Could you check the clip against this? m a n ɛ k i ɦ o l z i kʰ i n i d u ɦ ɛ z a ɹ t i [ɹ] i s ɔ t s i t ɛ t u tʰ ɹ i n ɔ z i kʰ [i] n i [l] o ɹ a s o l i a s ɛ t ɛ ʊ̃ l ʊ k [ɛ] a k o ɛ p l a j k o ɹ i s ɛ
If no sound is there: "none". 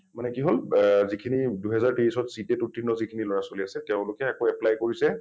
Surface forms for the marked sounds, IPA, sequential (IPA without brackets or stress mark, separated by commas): ɹ, i, l, ɛ